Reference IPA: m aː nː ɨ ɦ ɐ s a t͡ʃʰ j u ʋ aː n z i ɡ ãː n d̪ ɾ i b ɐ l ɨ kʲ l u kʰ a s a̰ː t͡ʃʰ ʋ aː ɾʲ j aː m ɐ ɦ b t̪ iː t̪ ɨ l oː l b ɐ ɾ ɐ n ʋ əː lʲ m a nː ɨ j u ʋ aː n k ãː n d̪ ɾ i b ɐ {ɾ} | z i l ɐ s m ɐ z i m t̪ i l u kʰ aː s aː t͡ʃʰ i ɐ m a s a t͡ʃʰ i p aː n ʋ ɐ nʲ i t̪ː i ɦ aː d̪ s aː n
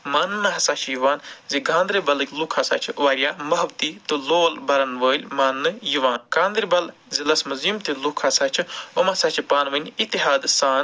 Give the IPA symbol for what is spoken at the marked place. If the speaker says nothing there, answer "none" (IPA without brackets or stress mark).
l